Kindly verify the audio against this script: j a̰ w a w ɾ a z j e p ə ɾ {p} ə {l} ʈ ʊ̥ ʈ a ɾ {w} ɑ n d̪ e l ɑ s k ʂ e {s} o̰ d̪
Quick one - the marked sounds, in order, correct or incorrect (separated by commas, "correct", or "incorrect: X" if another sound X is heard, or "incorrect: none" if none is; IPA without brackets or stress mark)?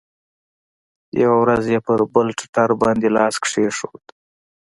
incorrect: b, correct, incorrect: b, incorrect: ʂ